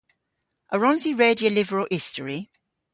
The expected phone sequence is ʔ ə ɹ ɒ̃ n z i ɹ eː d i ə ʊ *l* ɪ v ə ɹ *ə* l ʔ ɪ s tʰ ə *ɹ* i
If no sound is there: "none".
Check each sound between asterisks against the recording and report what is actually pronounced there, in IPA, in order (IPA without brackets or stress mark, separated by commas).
l, ə, ɹ